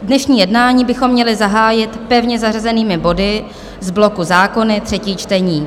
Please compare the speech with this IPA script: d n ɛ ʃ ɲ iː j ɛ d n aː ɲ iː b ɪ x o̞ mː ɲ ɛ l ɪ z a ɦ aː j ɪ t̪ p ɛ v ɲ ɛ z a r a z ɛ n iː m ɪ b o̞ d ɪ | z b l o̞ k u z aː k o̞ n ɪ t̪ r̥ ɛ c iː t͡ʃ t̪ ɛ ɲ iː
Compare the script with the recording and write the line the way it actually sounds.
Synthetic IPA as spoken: d n ɛ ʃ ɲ iː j ɛ d n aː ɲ iː b ɪ x o̞ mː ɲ ɛ l ɪ z a ɦ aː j ɪ t̪ p ɛ v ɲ ɛ z a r a z ɛ n iː m ɪ b o̞ d ɪ | z b l o̞ k u z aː k o̞ n ɪ t̪ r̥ ɛ c iː t͡ʃ t̪ ɛ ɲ iː